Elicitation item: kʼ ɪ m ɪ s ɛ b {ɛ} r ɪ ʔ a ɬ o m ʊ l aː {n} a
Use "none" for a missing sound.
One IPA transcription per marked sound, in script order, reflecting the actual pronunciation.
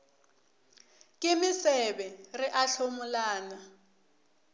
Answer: ɛ, n

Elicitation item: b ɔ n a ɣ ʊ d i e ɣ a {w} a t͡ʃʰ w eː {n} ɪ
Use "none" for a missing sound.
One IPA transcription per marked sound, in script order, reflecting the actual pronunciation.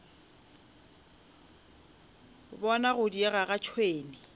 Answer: ɣ, n

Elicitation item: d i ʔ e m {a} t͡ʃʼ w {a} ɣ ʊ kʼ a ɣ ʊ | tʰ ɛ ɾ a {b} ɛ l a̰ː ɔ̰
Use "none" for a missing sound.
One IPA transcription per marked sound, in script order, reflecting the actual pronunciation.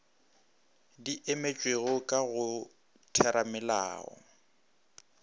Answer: e, e, m

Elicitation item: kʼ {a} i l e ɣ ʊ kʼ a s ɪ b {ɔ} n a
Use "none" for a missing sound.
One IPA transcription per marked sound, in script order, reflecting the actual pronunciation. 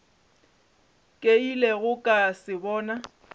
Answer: e, ɔː

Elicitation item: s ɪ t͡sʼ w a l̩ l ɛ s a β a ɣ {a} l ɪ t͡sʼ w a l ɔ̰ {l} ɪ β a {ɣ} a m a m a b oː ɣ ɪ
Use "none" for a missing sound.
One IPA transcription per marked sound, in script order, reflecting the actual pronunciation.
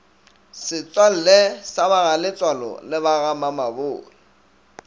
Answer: a, l, ɣ

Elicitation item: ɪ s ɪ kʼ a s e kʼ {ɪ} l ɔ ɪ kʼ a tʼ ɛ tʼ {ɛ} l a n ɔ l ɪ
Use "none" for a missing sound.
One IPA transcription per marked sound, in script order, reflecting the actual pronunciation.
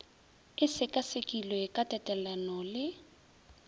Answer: i, ɛ

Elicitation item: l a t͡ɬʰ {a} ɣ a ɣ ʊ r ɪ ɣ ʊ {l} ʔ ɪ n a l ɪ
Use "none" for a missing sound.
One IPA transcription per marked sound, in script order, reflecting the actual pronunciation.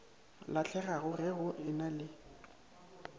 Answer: ɛ, none

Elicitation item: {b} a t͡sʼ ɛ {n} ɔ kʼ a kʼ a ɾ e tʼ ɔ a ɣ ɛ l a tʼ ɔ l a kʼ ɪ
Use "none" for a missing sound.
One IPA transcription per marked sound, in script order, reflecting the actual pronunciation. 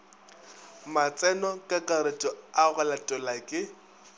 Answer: m, n

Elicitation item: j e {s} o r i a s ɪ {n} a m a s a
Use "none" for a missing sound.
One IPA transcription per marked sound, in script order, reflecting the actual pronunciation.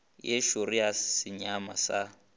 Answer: ʃ, ɲ

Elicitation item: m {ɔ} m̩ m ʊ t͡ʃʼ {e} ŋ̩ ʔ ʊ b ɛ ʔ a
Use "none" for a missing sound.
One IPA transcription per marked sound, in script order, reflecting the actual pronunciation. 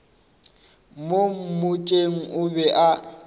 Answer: o, e

